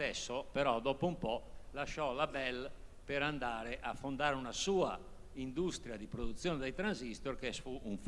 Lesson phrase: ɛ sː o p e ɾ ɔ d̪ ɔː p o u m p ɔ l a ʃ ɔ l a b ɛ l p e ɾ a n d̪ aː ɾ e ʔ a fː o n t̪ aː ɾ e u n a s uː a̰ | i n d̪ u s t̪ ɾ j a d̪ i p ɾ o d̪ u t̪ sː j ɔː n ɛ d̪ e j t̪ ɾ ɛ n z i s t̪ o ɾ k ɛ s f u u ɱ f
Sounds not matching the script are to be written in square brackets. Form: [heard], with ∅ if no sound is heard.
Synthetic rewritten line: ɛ sː o p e ɾ ɔ d̪ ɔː p o u m p ɔ l a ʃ ɔ l a b ɛ l p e ɾ a n d̪ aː ɾ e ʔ a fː o n [d̪] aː ɾ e u n a s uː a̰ | i n d̪ u s t̪ ɾ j a d̪ i p ɾ o d̪ u t̪ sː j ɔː n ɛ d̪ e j t̪ ɾ [a] n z i s t̪ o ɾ k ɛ s f u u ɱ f